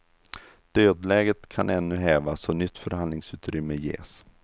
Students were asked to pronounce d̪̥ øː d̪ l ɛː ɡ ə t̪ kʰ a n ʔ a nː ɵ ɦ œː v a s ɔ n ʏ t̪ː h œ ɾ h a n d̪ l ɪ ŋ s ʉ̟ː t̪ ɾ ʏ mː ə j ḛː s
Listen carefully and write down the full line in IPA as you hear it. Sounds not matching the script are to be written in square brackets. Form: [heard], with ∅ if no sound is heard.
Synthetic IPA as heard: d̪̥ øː d̪ l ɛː ɡ ə t̪ kʰ a n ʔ [ɛ] nː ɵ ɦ [ɛː] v a s ɔ n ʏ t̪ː [f] œ ɾ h a n d̪ l ɪ ŋ s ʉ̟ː t̪ ɾ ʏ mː ə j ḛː s